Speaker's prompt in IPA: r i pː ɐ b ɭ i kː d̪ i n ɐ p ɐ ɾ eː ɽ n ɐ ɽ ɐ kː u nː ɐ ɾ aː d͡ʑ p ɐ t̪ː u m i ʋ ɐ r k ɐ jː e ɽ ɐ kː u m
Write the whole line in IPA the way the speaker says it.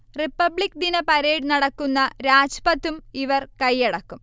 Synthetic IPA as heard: r i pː ɐ b ɭ i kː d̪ i n ɐ p ɐ ɾ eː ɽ n ɐ ɽ ɐ kː u nː ɐ ɾ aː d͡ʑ p ɐ t̪ː u m i ʋ ɐ r k ɐ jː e ɽ ɐ kː u m